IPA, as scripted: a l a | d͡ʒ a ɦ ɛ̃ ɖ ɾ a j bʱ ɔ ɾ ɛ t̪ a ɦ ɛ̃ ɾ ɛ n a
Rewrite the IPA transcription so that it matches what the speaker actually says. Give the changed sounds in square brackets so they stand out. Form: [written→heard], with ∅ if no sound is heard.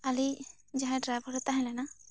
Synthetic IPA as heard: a l [a→i] | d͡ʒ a ɦ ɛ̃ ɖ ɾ a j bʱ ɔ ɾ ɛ t̪ a ɦ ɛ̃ [ɾ→l] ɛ n a

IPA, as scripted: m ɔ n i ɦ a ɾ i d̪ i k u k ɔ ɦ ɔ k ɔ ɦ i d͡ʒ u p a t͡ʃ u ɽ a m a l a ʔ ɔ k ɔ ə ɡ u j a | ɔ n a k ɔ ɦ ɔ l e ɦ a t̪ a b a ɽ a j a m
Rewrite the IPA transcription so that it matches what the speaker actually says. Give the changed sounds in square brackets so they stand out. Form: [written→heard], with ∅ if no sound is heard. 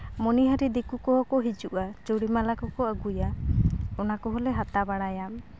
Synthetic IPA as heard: m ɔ n i ɦ a ɾ i d̪ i k u k ɔ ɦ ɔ k ɔ ɦ i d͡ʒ u [p→ʔ] a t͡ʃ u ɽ [a→i] m a l a [ʔ→k] ɔ k ɔ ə ɡ u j a | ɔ n a k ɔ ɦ ɔ l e ɦ a t̪ a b a ɽ a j a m

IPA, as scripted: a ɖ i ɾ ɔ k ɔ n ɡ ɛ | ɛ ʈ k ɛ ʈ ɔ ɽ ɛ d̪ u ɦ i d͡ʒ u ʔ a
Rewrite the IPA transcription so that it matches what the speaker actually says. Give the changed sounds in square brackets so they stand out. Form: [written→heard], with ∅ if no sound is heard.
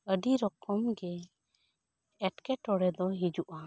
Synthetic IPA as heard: [a→ə] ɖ i ɾ ɔ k ɔ [n→m] ɡ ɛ | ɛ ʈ k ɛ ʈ ɔ ɽ ɛ d̪ [u→ɔ] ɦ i d͡ʒ u ʔ a

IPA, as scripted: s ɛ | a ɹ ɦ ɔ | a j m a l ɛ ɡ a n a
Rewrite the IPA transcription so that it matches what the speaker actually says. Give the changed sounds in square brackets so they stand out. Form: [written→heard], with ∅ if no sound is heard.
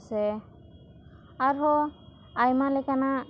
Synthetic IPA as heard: s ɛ | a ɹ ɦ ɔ | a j m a l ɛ [ɡ→k] a n a

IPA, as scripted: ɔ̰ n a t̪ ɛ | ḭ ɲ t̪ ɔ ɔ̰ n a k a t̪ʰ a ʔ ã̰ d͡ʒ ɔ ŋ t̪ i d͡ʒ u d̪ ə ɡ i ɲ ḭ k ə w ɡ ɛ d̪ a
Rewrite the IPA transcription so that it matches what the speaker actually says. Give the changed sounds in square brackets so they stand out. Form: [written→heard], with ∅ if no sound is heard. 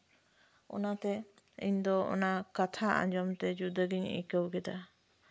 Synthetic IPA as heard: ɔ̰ n a t̪ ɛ | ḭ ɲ [t̪→d̪] ɔ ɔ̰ n a k a t̪ʰ a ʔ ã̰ d͡ʒ ɔ [ŋ→m] t̪ [i→ɛ] d͡ʒ u d̪ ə ɡ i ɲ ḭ k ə w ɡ ɛ d̪ a

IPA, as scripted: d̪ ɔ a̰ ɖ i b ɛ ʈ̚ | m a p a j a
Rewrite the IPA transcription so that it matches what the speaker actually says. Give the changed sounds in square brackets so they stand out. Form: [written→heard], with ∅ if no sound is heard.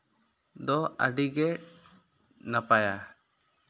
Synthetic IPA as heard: d̪ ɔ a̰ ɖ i [b→ɡ] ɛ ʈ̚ | [m→n] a p a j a

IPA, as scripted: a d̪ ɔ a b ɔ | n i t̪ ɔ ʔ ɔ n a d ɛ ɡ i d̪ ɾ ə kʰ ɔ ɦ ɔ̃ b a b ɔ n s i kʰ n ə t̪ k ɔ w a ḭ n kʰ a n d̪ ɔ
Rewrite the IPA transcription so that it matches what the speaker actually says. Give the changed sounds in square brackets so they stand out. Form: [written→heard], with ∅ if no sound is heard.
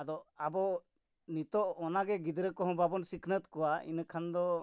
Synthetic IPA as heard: a d̪ ɔ a b ɔ | n i t̪ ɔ ʔ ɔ n a [d→ɡ] ɛ ɡ i d̪ ɾ ə [kʰ→k] ɔ ɦ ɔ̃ b a b ɔ n s i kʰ n ə t̪ k ɔ w a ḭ n kʰ a n d̪ ɔ

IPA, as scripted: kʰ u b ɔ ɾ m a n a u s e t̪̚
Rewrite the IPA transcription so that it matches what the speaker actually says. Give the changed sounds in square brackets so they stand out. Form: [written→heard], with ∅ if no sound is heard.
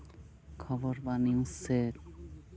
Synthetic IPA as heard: kʰ [u→ɔ] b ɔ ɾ [m→b] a n [a→i] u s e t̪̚

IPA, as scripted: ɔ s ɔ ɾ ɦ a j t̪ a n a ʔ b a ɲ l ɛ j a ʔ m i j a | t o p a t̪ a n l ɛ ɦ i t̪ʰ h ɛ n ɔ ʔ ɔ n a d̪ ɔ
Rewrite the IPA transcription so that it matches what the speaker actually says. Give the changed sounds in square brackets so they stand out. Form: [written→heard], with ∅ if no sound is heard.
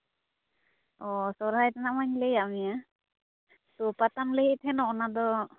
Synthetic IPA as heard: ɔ s ɔ ɾ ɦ a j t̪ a n a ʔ [b→m] a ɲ l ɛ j a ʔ m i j a | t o p a t̪ a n l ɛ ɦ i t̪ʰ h ɛ n ɔ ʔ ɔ n a d̪ ɔ

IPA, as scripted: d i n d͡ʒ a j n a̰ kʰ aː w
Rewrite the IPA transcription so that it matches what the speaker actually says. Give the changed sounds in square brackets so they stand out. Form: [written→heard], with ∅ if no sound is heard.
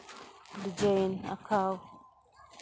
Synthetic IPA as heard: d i [n→∅] d͡ʒ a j n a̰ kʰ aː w

